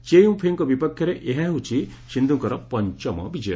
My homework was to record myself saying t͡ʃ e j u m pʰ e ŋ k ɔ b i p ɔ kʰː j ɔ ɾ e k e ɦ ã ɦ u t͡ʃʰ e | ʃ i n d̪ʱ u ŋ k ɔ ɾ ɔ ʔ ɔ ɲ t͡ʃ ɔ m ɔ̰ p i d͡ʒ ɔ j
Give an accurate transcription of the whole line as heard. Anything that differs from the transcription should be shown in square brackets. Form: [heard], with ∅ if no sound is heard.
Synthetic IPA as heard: t͡ʃ e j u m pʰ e ŋ k ɔ b i p ɔ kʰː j ɔ ɾ e [ʔ] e ɦ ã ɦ u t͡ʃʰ [i] | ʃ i n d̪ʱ u ŋ k ɔ ɾ ɔ [p] ɔ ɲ t͡ʃ ɔ m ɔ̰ [b] i d͡ʒ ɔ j